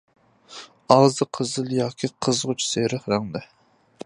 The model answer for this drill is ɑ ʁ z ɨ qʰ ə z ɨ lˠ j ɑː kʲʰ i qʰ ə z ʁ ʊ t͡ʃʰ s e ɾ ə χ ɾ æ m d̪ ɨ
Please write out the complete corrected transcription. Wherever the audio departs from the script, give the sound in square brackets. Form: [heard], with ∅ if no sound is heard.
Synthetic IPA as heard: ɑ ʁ z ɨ qʰ ə z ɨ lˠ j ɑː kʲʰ i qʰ ə z ʁ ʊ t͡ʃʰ s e ɾ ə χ ɾ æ [ŋ] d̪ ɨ